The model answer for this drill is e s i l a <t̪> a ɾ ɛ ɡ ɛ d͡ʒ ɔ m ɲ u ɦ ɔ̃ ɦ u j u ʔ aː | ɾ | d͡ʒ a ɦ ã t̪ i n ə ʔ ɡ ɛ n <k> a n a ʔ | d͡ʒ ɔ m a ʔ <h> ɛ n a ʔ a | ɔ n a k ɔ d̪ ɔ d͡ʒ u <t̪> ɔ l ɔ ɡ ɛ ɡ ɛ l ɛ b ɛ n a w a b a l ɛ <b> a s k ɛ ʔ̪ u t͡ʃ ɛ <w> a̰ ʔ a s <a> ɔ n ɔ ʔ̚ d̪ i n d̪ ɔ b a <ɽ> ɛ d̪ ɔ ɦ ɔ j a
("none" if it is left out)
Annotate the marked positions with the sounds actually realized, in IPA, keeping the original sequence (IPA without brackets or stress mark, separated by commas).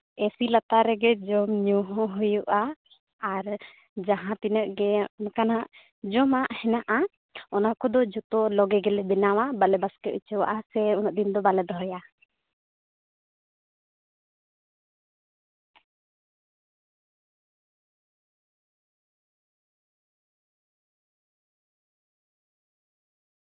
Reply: t̪, k, h, t̪, b, w, ɛ, l